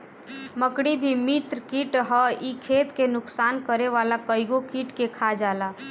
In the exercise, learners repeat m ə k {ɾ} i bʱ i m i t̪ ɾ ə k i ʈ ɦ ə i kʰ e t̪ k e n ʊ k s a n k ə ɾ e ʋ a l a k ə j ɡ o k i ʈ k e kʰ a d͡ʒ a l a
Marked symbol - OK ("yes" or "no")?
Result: no